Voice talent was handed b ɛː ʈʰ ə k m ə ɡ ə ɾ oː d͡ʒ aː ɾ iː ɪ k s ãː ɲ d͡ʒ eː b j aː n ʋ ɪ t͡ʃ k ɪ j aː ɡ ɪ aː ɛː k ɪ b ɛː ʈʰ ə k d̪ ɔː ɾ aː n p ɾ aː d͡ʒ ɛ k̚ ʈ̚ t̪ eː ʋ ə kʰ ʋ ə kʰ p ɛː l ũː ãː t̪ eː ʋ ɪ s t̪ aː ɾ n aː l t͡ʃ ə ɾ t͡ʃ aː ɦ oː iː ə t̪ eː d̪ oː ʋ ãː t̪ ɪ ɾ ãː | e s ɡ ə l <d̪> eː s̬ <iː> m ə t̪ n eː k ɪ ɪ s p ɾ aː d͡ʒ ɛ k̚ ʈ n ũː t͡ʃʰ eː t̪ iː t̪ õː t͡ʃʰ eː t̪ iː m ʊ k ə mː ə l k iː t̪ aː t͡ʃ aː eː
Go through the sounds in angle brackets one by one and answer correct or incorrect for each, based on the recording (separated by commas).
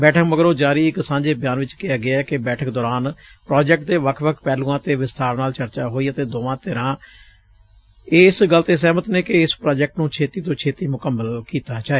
incorrect, incorrect